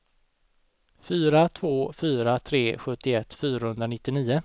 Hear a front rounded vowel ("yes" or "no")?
yes